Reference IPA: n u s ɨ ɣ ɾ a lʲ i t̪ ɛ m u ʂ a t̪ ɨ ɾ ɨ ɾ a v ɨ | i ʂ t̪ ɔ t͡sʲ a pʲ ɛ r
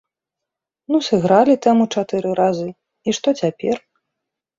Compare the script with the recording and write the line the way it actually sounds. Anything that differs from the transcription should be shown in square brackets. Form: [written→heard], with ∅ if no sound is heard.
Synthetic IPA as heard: n u s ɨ ɣ ɾ a lʲ i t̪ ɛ m u [ʂ→t͡ʂ] a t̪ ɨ ɾ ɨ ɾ a [v→z] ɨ | i ʂ t̪ ɔ t͡sʲ a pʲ ɛ r